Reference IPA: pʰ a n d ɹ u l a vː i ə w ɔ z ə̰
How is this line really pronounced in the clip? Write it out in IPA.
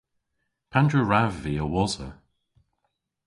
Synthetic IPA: pʰ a n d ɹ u ɹ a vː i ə w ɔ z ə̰